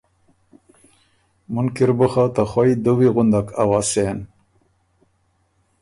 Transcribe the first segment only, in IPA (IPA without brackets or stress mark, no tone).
m